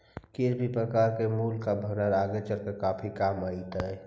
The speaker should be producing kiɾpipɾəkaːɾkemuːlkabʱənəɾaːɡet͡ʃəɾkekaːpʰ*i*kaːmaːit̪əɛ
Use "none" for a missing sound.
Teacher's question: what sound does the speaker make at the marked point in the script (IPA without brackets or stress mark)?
i